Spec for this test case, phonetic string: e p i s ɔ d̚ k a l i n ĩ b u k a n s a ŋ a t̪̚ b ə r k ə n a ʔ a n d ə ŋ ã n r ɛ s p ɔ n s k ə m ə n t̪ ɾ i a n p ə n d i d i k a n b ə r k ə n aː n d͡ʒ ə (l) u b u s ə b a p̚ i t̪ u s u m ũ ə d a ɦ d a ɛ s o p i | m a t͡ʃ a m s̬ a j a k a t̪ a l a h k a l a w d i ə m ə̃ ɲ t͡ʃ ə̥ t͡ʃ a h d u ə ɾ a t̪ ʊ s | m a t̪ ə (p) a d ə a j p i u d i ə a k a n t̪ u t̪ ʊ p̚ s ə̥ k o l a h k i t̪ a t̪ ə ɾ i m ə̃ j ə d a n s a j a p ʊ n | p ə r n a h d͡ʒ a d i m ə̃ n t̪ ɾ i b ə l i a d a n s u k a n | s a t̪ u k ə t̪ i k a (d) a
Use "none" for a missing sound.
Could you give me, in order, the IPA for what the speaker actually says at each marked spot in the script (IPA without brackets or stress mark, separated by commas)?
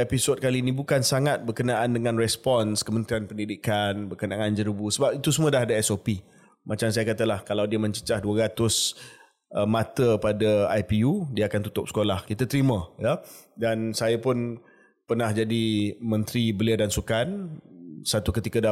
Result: ɾ, p, d